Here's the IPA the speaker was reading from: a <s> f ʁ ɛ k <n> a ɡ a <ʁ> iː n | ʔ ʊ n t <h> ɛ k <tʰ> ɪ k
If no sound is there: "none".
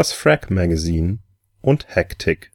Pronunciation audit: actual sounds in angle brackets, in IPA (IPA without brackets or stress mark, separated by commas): s, m, z, h, tʰ